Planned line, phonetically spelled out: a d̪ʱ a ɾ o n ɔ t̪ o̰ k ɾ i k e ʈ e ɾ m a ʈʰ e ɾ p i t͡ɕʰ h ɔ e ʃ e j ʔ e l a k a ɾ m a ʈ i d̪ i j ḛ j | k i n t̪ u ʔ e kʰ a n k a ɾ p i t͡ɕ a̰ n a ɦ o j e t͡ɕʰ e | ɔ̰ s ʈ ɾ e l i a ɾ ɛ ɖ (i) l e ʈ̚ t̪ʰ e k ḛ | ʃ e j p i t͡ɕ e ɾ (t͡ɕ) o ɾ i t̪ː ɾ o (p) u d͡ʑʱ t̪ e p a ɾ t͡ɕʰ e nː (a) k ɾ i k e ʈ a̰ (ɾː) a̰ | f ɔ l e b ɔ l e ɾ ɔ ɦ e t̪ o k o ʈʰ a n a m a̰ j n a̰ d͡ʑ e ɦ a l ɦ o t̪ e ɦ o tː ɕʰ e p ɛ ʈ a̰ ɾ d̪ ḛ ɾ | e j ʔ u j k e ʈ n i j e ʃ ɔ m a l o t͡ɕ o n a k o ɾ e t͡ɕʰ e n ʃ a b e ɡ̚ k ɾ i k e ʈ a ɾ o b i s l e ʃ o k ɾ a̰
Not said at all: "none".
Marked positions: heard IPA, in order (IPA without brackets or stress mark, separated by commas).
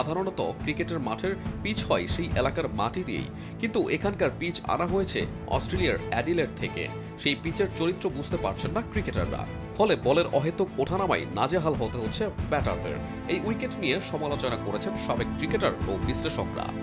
i, t͡ɕ, b, a, ɾː